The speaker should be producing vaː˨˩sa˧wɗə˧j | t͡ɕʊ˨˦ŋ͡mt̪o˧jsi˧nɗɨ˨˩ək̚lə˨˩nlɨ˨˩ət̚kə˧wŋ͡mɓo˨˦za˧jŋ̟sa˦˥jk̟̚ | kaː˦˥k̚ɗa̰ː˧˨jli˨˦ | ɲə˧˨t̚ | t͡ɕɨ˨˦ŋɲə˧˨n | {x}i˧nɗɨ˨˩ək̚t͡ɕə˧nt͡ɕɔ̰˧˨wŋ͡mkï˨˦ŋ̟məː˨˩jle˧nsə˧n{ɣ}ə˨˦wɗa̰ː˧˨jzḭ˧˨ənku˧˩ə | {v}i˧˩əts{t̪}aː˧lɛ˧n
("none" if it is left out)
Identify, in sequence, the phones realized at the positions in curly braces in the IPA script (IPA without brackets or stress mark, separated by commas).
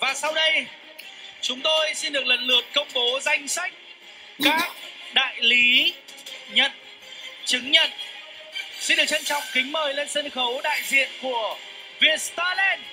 s, x, v, t̪